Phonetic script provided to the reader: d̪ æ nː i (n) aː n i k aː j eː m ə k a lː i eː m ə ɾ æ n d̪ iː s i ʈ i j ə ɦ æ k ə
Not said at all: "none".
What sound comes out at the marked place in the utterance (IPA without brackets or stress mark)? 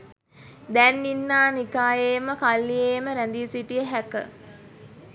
nː